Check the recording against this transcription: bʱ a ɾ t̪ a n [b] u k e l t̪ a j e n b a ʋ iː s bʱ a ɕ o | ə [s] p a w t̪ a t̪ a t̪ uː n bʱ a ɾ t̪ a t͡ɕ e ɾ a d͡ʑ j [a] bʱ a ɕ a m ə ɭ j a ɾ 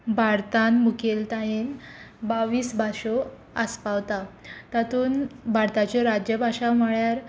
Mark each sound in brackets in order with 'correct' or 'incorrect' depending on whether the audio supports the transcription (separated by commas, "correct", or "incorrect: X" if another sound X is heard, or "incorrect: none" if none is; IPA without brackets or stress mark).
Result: incorrect: m, correct, incorrect: ə